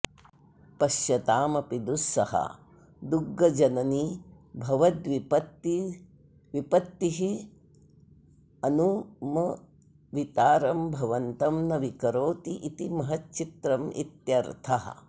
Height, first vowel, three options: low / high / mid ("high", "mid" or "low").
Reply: low